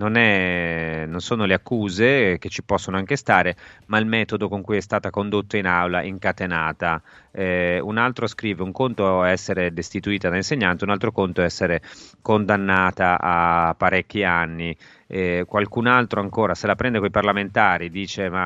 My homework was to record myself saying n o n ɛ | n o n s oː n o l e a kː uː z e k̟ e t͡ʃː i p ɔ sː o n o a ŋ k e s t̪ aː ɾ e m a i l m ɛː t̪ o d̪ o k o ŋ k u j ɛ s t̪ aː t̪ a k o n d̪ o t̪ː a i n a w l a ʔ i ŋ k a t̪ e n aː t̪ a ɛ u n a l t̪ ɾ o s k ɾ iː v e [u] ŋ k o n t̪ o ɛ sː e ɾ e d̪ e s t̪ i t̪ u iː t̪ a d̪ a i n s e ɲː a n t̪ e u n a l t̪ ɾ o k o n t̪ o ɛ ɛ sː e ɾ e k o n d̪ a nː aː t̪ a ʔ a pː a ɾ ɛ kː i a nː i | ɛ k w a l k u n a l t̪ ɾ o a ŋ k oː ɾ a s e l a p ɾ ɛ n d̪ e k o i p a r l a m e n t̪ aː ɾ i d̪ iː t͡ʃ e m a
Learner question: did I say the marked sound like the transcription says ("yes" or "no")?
yes